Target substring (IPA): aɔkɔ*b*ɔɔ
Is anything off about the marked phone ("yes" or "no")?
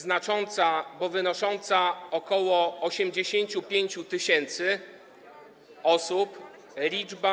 yes